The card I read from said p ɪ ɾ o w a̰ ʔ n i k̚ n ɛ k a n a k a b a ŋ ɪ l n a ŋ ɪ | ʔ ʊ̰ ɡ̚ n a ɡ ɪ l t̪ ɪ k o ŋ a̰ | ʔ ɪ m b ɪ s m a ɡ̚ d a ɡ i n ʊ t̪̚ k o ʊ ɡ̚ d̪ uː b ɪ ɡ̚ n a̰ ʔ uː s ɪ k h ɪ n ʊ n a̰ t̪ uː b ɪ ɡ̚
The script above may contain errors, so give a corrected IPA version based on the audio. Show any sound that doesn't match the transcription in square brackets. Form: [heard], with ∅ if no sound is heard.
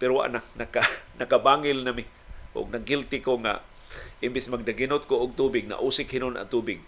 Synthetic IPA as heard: p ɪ ɾ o w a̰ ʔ n [a] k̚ n [a] k a n a k a b a ŋ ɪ l n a [m] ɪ | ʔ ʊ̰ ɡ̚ n a ɡ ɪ l t̪ ɪ k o ŋ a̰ | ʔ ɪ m b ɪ s m a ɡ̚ d a ɡ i n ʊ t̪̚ k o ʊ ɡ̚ [t̪] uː b ɪ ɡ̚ n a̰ ʔ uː s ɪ k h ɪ n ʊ n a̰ t̪ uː b ɪ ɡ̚